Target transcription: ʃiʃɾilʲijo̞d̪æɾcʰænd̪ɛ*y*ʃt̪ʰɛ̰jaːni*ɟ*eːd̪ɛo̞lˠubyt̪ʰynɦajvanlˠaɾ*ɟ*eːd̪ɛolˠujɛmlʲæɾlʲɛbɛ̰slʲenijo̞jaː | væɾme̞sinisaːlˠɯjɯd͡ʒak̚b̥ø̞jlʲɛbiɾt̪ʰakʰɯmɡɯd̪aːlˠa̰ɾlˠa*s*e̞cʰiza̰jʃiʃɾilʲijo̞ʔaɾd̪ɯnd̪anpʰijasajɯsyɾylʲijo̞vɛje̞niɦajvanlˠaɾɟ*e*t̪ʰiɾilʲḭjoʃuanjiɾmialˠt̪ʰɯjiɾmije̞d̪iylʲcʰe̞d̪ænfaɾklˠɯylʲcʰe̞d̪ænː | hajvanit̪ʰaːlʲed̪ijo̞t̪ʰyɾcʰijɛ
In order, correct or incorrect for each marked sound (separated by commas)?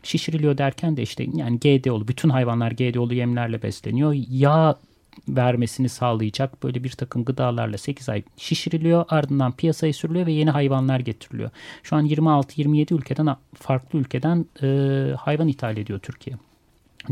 incorrect, correct, correct, correct, correct